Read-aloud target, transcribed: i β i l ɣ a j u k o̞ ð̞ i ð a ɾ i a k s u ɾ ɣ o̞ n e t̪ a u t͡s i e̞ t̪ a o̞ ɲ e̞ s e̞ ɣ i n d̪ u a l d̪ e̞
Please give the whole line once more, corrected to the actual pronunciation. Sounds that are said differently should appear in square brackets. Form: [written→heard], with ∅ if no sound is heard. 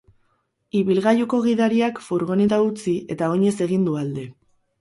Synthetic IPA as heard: i β i l ɣ a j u k o̞ [ð̞→ɣ̞] i ð a ɾ i a k [s→f] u ɾ ɣ o̞ n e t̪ a u t͡s i e̞ t̪ a o̞ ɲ e̞ s e̞ ɣ i n d̪ u a l d̪ e̞